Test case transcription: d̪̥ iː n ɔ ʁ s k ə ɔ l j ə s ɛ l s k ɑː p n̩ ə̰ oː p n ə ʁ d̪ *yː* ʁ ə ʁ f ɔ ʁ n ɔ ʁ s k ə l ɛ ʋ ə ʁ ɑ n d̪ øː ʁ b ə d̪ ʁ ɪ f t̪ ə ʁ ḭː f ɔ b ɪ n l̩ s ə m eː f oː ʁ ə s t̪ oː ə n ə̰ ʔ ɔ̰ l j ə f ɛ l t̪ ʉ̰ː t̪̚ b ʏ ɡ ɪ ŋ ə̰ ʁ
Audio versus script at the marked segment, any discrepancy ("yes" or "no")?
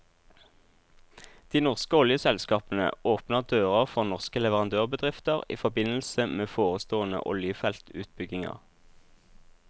yes